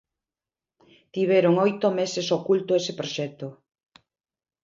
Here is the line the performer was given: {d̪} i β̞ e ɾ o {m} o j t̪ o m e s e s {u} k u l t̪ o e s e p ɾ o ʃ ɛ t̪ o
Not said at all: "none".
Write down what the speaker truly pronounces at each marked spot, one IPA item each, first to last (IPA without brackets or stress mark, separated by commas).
t̪, ŋ, o